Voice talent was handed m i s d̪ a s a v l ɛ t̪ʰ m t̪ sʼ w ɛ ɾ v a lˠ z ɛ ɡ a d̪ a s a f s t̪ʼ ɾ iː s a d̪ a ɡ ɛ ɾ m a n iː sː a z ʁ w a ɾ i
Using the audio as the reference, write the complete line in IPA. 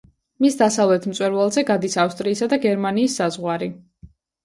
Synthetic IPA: m i s d̪ a s a v l ɛ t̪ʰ m t̪ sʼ w ɛ ɾ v a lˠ z ɛ ɡ a d̪ i s a f s t̪ʼ ɾ iː s a d̪ a ɡ ɛ ɾ m a n iː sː a z ʁ w a ɾ i